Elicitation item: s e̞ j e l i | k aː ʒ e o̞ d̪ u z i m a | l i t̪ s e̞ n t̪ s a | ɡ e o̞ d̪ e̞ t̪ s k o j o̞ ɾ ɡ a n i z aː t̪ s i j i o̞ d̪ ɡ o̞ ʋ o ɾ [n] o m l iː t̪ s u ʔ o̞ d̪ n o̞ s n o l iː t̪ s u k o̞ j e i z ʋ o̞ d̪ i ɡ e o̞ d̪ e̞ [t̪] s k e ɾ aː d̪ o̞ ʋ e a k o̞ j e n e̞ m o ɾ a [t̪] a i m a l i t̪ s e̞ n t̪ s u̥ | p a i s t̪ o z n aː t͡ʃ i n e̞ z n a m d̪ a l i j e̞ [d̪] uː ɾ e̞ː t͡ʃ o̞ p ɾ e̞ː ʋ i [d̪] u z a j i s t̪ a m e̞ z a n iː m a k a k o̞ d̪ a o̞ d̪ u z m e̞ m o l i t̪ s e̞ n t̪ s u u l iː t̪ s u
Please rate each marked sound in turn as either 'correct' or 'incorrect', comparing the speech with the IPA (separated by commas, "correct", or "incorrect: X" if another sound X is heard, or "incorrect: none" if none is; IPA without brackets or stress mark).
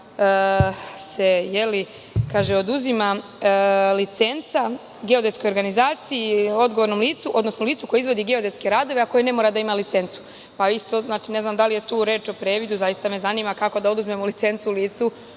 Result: correct, correct, incorrect: d̪, incorrect: t̪, correct